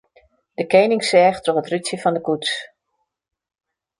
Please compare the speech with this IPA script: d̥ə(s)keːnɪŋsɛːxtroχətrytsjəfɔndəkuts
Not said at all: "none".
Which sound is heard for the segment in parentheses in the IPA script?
none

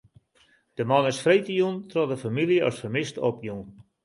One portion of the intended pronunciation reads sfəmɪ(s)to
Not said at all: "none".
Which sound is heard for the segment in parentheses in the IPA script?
s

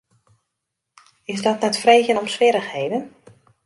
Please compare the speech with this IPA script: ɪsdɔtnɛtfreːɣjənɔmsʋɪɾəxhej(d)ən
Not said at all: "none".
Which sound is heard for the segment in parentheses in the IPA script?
d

